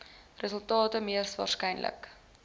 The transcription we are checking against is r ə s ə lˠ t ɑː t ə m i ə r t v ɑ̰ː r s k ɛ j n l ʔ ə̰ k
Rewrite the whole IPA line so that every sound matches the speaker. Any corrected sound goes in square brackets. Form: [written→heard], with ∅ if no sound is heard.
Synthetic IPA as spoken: r ə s ə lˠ t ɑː t ə m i ə r [t→s] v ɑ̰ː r s k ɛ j n l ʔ ə̰ k